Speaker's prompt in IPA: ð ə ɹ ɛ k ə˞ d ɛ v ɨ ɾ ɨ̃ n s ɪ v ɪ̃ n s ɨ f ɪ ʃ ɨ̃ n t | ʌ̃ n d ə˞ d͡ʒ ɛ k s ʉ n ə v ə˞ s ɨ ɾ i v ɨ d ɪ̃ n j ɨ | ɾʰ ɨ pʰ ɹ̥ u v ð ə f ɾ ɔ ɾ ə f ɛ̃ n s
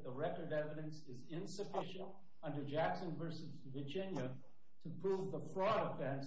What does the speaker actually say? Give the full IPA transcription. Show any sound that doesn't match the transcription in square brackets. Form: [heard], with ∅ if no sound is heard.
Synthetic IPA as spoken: ð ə ɹ ɛ k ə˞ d ɛ v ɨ ɾ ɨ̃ n s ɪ [z] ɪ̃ n s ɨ f ɪ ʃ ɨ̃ n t | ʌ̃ n d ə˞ d͡ʒ [æ] k s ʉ n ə v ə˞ s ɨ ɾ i v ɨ [d͡ʒ] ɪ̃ n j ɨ | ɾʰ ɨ pʰ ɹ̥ u v ð ə f [ɹ] ɔ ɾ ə f ɛ̃ n s